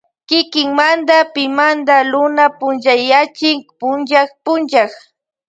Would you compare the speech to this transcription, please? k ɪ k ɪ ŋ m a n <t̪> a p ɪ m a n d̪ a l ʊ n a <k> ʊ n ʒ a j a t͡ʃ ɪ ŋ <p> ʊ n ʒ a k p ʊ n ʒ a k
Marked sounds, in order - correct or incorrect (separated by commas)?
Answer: incorrect, incorrect, correct